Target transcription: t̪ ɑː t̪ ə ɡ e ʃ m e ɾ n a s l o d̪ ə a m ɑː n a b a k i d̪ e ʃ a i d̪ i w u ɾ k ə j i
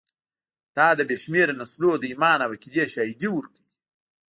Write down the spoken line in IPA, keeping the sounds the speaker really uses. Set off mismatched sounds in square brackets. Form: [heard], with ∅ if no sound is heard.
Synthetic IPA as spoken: t̪ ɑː [d̪] ə [b] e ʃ m e ɾ n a s l o d̪ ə [i] m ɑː n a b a k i d̪ e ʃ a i d̪ i w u ɾ k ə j i